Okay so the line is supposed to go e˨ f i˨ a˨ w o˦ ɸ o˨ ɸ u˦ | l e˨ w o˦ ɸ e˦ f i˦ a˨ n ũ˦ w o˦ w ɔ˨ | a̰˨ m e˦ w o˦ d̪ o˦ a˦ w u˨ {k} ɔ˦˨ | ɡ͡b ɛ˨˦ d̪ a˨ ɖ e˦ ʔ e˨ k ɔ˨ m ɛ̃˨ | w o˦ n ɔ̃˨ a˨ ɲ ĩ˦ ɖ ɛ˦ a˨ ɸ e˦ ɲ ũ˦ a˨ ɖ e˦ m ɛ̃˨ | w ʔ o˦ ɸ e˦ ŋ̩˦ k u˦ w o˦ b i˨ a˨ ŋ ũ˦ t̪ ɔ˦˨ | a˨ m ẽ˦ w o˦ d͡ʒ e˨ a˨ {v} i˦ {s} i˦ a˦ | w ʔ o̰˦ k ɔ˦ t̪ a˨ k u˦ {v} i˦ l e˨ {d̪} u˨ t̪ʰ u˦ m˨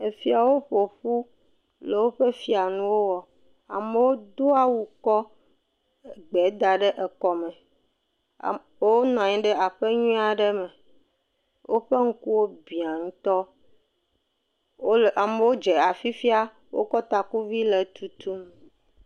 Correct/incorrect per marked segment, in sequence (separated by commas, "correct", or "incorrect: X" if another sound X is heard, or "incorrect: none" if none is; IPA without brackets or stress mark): correct, incorrect: f, incorrect: f, correct, incorrect: t̪